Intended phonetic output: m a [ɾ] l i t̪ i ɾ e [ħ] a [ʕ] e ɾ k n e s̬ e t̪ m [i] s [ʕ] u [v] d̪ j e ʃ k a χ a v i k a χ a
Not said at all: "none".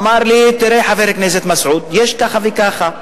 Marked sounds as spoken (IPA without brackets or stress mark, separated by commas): ɾ, ħ, v, a, ʕ, none